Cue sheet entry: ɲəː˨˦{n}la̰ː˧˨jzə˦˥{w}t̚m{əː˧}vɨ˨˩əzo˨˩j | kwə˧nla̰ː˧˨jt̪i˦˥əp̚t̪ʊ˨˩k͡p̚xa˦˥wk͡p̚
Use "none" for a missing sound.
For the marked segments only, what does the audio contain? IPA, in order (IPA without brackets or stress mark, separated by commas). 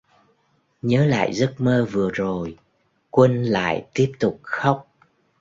none, none, əː˧